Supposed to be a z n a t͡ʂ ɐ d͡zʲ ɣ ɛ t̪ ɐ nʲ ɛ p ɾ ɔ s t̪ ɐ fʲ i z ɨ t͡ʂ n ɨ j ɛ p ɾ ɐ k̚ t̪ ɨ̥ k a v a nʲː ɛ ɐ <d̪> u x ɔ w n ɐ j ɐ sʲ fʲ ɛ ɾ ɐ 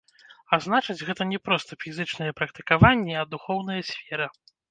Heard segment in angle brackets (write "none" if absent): d̪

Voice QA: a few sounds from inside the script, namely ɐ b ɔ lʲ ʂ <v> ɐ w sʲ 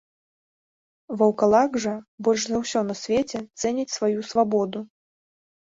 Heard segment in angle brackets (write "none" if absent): z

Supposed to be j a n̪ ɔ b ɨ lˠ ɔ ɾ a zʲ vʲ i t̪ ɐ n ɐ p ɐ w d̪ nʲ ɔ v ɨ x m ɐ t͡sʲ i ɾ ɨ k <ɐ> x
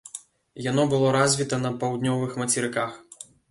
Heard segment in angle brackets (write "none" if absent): a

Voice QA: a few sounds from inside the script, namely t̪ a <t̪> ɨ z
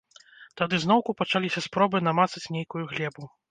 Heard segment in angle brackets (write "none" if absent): d̪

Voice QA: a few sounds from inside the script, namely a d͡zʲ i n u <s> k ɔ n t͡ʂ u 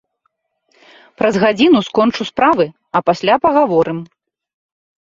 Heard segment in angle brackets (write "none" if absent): s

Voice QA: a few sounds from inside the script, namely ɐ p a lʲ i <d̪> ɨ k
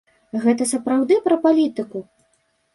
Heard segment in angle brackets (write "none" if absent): t̪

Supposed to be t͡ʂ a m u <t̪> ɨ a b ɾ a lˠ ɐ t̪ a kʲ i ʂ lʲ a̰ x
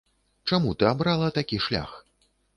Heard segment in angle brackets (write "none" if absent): t̪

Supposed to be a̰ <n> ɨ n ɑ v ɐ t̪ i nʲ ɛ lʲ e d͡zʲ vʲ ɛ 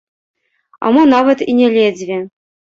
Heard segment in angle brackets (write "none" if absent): m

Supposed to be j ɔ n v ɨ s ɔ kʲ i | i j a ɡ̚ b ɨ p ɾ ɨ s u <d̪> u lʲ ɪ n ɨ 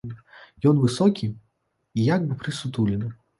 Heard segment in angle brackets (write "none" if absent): t̪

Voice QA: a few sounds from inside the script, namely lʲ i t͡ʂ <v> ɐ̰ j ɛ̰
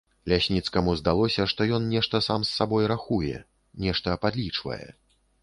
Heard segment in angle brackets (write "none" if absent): v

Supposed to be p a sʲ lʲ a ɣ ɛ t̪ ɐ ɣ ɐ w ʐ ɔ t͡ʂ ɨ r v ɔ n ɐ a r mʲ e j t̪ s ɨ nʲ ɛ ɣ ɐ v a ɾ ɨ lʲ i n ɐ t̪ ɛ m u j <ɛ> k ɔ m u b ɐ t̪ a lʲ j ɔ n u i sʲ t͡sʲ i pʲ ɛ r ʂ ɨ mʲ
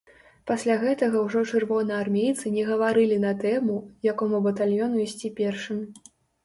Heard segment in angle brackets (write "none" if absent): a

